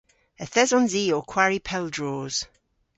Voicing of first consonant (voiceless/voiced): voiceless